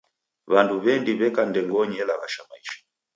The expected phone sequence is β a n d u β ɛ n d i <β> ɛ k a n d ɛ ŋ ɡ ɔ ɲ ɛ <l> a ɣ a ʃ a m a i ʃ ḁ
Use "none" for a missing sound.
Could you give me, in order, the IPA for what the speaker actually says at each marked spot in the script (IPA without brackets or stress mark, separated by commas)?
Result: β, l